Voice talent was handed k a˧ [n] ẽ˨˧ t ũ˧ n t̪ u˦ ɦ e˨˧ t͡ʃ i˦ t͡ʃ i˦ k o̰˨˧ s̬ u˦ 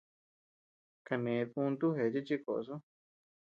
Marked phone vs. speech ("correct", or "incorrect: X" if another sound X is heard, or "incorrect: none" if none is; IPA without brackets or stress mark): correct